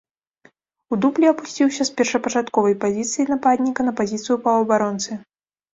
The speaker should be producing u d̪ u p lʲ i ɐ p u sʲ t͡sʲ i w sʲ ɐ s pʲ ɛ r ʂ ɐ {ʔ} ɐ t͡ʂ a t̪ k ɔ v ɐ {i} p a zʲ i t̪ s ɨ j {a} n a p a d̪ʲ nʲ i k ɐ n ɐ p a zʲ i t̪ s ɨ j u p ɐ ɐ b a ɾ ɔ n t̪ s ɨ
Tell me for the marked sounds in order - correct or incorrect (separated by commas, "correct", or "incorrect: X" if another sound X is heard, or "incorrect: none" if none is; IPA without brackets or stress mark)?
incorrect: p, incorrect: j, incorrect: i